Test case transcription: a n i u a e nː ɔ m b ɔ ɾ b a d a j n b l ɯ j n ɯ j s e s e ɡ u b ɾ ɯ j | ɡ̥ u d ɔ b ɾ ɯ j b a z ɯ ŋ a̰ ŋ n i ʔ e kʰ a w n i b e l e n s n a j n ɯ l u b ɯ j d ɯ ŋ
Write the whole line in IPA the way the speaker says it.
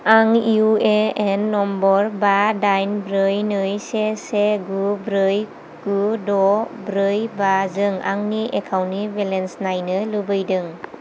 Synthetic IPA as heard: a ŋ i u e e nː ɔ m b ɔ ɾ b a d a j n b ɾ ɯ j n ɯ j s e s e ɡ u b ɾ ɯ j | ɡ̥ u d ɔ b ɾ ɯ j b a z ɯ ŋ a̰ ŋ n i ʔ e kʰ a w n i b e l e n s n a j n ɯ l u b ɯ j d ɯ ŋ